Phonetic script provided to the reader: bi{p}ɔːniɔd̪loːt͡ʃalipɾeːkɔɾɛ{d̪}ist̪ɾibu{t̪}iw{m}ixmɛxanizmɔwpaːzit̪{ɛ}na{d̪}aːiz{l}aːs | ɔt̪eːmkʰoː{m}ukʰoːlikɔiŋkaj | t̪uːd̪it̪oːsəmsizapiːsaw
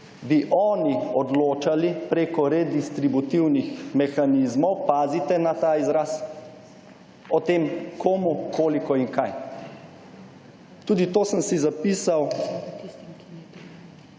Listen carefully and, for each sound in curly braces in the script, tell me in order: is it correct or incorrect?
incorrect: ʔ, correct, correct, incorrect: n, correct, incorrect: t̪, incorrect: ɾ, correct

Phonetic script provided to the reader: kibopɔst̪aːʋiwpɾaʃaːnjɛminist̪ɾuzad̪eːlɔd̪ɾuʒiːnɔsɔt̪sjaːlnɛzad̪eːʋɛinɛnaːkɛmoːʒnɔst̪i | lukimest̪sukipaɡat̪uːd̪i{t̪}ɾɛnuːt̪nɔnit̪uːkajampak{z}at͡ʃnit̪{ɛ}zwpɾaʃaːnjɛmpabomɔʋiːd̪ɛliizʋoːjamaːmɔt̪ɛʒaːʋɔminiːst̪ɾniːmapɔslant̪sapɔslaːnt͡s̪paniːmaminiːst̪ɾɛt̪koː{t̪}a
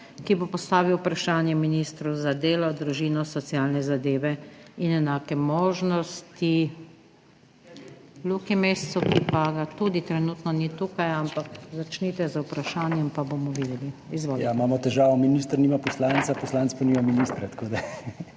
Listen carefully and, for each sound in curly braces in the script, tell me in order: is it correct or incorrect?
correct, correct, correct, incorrect: d̪

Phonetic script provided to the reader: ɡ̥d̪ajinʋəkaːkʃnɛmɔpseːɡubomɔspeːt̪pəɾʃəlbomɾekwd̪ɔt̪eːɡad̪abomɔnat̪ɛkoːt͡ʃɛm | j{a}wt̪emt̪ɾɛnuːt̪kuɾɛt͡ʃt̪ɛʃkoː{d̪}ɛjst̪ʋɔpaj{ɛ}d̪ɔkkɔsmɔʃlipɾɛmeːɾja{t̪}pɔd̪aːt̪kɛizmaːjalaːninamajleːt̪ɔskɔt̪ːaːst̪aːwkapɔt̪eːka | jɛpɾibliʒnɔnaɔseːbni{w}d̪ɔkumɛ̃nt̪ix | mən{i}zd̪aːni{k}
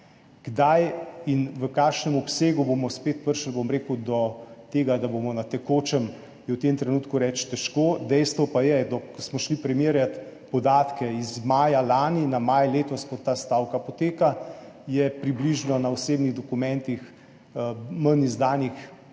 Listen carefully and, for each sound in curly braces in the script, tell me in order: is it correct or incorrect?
incorrect: ɛ, correct, correct, correct, incorrect: ɣ, correct, incorrect: x

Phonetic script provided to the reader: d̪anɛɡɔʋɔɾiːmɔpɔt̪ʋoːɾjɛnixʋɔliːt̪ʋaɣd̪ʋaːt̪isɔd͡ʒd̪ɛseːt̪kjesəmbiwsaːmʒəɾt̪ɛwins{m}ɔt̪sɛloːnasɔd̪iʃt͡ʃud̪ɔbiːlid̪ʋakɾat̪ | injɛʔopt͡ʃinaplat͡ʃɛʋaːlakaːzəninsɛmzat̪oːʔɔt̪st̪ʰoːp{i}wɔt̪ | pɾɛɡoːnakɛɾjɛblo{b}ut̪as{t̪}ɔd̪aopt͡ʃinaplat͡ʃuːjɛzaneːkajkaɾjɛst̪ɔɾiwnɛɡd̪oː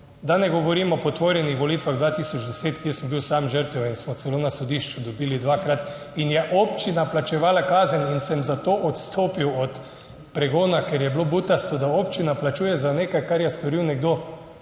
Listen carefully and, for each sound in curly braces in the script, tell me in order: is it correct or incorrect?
correct, correct, correct, correct

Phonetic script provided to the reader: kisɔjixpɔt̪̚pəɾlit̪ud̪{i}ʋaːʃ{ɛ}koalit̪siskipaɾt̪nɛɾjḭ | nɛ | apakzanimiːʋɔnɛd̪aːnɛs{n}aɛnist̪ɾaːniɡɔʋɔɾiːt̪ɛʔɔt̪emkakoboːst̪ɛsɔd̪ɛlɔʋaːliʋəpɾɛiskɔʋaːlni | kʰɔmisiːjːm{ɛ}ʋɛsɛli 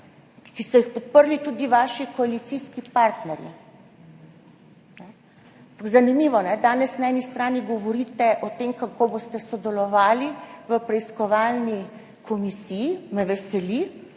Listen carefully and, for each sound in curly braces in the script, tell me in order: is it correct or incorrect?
correct, incorrect: i, correct, correct

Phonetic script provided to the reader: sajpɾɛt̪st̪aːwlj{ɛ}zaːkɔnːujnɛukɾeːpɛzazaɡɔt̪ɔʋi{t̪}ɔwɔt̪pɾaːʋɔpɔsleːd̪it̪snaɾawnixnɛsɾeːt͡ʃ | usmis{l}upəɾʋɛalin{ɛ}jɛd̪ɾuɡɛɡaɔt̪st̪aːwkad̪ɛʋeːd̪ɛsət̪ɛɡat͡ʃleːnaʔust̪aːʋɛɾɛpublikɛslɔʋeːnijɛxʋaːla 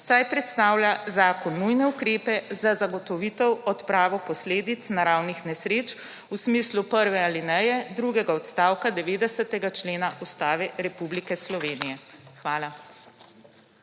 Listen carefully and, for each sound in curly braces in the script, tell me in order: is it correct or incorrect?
incorrect: a, correct, correct, correct

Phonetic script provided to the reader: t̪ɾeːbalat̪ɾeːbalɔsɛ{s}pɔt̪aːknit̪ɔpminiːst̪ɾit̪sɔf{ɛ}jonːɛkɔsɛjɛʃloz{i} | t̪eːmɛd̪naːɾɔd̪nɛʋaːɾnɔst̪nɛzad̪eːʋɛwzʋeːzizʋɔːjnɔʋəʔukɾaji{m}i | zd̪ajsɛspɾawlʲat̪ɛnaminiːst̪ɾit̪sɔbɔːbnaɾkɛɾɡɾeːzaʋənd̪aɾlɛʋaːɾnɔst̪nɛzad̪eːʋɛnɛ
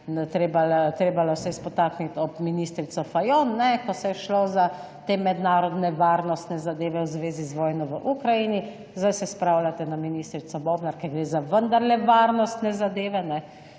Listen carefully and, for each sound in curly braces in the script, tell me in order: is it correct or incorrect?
correct, incorrect: a, incorrect: a, incorrect: n

